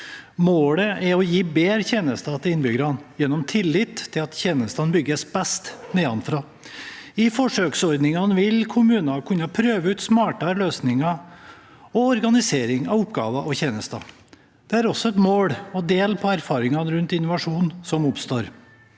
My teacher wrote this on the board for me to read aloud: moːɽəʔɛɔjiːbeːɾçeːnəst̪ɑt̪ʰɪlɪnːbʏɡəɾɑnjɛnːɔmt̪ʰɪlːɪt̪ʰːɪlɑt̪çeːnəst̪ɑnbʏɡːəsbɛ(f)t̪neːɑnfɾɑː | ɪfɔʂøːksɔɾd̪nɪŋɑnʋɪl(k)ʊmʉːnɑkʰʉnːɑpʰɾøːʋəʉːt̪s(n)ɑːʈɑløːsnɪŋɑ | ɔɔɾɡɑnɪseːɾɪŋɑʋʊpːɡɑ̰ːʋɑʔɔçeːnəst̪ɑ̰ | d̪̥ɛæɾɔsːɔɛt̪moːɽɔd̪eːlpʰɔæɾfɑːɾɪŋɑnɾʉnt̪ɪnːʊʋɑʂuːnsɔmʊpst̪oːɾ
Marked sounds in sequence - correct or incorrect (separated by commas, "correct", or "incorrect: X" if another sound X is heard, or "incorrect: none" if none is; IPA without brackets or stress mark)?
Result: incorrect: s, incorrect: kʰ, incorrect: m